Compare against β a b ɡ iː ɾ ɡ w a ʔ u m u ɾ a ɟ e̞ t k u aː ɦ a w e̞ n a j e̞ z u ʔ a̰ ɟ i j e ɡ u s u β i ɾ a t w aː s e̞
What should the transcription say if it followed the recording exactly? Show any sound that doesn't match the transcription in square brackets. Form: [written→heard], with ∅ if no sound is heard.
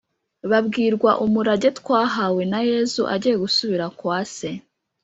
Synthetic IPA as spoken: β a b ɡ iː ɾ ɡ w a ʔ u m u ɾ a ɟ e̞ t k [u→w] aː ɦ a w e̞ n a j e̞ z u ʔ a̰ ɟ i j e ɡ u s u β i ɾ a [t→k] w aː s e̞

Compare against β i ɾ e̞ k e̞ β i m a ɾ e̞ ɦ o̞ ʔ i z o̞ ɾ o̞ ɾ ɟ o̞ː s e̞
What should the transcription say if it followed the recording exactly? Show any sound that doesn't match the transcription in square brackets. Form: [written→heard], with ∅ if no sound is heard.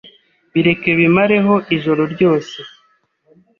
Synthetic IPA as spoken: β i ɾ e̞ k e̞ β i m a ɾ e̞ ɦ o̞ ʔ i [z→ʒ] o̞ ɾ o̞ ɾ ɟ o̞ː s e̞

